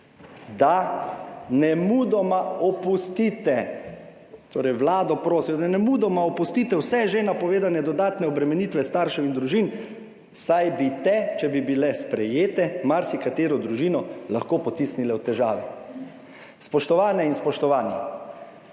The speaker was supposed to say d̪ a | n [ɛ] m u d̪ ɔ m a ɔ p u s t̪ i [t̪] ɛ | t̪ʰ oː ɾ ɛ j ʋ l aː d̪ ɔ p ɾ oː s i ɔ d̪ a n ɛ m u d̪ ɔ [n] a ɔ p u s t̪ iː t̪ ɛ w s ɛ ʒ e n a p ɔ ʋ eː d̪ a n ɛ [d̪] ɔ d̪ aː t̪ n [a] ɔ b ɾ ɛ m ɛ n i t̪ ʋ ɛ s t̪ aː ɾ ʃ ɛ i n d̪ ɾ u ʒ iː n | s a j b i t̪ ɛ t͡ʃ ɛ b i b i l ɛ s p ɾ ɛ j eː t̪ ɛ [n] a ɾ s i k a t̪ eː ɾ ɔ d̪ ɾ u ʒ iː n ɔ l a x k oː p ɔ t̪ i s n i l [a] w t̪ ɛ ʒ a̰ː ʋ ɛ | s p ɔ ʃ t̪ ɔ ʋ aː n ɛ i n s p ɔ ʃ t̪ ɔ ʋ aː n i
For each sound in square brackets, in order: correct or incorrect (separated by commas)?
correct, correct, incorrect, correct, incorrect, incorrect, incorrect